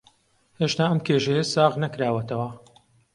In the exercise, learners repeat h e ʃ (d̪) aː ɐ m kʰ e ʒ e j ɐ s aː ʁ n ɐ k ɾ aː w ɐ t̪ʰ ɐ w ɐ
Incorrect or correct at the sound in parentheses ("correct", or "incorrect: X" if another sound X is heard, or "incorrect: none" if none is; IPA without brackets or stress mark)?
incorrect: t̪